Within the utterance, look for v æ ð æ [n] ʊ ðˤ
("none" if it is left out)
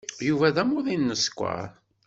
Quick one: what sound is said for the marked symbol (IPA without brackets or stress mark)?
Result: m